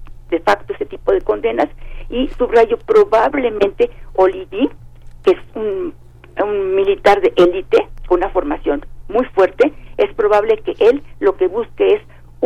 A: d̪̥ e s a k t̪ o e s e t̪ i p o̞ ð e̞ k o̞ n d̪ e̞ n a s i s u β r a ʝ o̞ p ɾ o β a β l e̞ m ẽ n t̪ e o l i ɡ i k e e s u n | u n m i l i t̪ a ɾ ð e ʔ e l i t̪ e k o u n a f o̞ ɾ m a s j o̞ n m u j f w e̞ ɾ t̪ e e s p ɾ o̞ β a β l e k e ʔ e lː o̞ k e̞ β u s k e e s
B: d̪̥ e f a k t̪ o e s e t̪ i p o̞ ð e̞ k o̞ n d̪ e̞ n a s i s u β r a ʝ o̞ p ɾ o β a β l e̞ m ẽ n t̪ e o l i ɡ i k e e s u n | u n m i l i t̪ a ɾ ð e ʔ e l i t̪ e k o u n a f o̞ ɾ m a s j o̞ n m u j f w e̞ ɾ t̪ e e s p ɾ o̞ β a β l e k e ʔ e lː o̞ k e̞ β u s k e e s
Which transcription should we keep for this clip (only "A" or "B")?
B